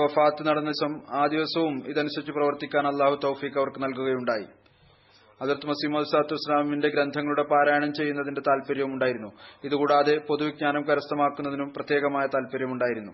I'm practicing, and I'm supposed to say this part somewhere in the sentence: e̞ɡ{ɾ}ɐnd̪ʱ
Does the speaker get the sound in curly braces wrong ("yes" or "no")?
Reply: no